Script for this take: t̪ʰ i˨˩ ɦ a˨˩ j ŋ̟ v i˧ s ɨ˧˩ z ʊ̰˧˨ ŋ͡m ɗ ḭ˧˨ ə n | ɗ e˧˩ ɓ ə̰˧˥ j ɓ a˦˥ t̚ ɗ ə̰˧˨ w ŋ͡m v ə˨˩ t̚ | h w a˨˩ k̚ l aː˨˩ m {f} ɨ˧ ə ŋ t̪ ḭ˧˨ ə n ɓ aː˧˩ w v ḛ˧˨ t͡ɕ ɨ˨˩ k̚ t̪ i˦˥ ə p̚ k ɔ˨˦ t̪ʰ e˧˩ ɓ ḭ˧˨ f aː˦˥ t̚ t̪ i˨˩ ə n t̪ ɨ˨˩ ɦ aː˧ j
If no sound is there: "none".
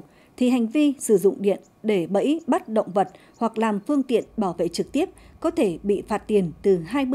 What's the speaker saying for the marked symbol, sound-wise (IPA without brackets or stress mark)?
f